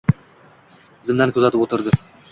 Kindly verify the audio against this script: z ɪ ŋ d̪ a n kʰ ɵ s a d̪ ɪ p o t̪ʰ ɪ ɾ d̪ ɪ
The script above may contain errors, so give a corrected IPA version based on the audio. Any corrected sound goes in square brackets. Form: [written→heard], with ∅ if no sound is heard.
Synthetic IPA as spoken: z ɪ [ŋ→m] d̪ a n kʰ ɵ [s→z] a [d̪→t̪] ɪ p o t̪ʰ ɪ ɾ d̪ ɪ